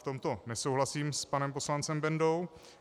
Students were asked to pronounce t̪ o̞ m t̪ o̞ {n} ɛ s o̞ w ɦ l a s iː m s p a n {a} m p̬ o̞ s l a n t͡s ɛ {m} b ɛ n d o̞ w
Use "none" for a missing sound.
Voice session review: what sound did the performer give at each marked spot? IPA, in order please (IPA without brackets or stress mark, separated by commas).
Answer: n, ɛ, m